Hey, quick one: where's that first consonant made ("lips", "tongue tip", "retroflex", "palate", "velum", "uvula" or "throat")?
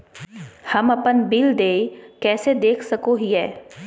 throat